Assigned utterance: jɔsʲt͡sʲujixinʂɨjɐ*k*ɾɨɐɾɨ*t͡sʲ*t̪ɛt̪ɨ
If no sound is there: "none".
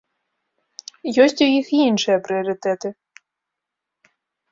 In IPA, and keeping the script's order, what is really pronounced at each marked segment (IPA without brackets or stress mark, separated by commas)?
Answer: p, none